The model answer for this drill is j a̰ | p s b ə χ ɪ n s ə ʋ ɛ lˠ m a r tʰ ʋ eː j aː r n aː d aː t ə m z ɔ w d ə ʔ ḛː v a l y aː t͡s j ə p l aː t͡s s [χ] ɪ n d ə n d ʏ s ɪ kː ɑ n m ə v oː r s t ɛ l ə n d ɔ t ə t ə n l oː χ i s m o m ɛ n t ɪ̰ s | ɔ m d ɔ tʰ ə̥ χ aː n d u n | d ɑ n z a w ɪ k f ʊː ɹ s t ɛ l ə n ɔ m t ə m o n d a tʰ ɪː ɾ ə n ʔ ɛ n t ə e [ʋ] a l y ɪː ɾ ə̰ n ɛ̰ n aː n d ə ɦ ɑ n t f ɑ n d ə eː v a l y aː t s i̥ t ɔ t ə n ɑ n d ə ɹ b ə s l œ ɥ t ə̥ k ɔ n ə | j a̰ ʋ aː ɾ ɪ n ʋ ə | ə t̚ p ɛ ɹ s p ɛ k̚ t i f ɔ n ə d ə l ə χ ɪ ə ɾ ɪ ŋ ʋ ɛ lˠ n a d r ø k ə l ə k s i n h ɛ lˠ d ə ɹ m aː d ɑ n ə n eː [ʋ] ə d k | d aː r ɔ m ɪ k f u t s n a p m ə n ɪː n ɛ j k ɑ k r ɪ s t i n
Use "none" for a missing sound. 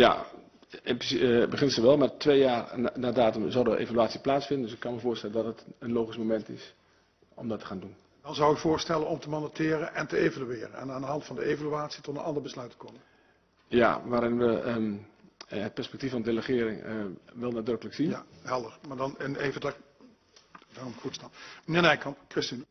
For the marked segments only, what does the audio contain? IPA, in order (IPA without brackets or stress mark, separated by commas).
f, v, v